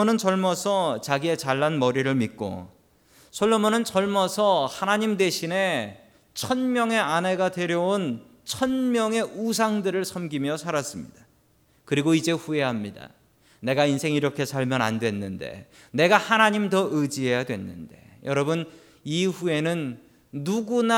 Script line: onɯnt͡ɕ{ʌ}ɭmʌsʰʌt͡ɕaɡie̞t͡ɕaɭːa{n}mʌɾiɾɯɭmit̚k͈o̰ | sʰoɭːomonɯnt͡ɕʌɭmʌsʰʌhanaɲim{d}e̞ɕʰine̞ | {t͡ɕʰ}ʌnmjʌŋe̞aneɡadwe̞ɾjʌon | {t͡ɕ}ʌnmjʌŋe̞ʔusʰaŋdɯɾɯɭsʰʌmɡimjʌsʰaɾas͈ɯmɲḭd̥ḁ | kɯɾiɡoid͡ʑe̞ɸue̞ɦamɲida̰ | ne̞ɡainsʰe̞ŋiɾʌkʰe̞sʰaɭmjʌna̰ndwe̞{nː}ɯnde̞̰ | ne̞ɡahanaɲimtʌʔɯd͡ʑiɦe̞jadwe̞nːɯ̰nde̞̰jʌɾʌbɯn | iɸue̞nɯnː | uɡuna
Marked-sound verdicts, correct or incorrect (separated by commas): correct, correct, correct, correct, incorrect, correct